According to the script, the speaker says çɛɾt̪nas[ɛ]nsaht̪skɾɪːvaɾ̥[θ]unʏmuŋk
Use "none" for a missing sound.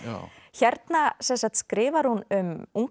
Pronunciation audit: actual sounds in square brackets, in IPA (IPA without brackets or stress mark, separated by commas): ɛ, h